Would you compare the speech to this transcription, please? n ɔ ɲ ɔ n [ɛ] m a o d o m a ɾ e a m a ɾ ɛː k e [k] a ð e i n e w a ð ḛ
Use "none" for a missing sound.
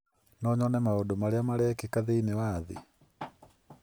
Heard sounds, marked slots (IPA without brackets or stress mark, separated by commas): ɛ, k